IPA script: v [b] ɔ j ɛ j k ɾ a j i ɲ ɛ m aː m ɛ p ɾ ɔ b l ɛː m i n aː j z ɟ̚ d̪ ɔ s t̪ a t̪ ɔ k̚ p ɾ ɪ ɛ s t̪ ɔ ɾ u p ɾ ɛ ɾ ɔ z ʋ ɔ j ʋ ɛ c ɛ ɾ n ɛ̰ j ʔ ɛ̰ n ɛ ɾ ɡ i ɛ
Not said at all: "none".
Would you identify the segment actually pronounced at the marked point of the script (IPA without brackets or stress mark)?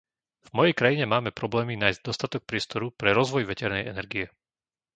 m